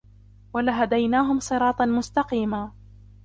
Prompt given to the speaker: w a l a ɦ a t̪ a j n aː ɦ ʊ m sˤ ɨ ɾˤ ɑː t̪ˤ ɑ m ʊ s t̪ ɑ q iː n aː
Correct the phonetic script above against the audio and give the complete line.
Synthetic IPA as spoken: w a l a ɦ a d̪ a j n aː ɦ ʊ m sˤ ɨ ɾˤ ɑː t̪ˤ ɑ m ʊ s t̪ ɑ q iː m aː